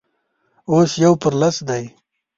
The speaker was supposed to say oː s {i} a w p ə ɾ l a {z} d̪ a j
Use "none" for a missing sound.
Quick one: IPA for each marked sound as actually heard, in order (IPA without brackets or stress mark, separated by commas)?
j, s